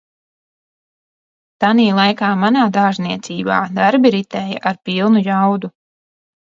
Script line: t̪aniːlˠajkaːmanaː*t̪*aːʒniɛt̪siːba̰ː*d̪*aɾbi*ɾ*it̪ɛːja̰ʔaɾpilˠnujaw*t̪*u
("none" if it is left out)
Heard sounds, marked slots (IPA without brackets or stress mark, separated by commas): d̪, d̪, ɾ, d̪